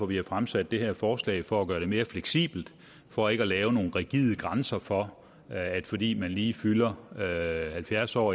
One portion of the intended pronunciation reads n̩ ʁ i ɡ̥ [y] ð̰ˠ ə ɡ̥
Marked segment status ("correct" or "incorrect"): incorrect